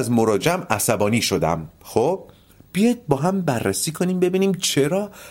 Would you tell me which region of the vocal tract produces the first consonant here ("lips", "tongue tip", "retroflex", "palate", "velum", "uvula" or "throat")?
tongue tip